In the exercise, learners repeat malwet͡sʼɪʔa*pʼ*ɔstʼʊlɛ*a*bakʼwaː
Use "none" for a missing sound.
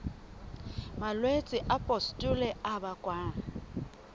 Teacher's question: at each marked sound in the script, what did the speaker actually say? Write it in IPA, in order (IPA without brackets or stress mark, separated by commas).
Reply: pʼ, a